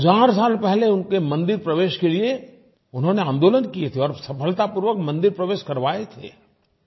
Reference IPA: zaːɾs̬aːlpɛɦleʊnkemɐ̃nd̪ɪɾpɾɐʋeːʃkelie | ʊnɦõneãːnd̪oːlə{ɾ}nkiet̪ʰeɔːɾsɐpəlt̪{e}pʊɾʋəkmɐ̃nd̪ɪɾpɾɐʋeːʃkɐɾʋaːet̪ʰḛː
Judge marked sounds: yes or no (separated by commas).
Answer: no, no